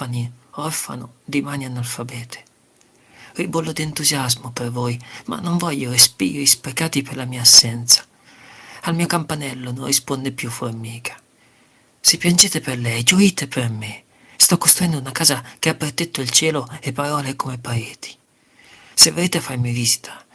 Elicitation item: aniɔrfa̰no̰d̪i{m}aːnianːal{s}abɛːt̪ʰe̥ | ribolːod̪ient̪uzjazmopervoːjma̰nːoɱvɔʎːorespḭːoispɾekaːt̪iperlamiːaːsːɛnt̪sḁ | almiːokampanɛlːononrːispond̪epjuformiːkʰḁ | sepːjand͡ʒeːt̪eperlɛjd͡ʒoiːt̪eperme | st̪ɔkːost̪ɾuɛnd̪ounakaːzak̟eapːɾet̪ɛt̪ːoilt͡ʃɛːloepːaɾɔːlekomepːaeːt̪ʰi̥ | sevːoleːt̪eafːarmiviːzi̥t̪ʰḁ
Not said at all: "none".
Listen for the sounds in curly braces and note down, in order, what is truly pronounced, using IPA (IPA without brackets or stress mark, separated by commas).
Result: m, f